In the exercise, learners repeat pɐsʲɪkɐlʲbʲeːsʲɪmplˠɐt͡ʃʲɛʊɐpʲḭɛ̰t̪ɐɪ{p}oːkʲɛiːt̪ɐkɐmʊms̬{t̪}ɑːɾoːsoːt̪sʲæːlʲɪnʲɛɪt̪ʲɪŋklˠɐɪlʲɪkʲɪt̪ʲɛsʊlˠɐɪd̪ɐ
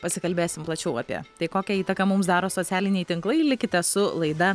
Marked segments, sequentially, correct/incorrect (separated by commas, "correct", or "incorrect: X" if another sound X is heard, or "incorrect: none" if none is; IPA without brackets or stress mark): incorrect: k, incorrect: d̪